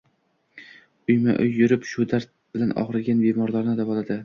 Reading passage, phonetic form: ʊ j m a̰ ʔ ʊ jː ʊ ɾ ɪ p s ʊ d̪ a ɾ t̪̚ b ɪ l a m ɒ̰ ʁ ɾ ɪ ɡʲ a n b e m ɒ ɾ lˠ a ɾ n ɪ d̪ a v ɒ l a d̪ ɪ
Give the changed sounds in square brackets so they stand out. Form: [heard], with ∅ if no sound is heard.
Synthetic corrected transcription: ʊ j m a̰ ʔ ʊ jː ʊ ɾ ɪ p [ʃ] ʊ d̪ a ɾ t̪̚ b ɪ l a [n] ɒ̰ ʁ ɾ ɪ ɡʲ a n b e m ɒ ɾ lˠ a ɾ n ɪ d̪ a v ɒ l a d̪ ɪ